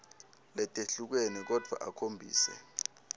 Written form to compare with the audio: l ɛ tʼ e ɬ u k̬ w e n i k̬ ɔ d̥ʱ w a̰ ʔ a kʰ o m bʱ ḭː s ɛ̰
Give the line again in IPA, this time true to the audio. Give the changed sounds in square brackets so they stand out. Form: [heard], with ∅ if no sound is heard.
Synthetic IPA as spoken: l ɛ tʼ e ɬ u k̬ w e n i k̬ ɔ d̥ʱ w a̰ ʔ a kʰ o m bʱ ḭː s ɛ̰